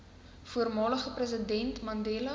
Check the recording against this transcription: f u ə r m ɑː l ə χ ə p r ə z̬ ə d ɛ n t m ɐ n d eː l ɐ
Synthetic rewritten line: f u ə r m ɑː l ə χ ə p r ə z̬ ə d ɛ n t m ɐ n d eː l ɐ